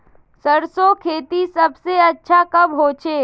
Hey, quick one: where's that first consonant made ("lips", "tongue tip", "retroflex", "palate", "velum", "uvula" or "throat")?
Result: tongue tip